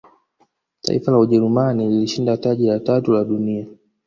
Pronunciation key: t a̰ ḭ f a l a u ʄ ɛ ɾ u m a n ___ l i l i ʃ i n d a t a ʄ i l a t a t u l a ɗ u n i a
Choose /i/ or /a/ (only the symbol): i